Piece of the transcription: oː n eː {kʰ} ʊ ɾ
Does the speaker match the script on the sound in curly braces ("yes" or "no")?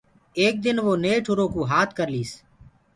no